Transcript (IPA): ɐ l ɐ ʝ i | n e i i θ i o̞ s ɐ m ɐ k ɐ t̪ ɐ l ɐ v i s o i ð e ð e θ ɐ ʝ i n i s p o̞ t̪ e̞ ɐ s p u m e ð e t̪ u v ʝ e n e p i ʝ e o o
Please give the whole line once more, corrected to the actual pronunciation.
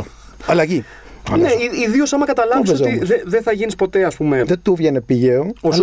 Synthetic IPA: ɐ l ɐ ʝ i | n e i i ð i o̞ s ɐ m ɐ k ɐ t̪ ɐ l ɐ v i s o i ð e ð e θ ɐ ʝ i n i s p o̞ t̪ e̞ ɐ s p u m e ð e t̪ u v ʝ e n e p i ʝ e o o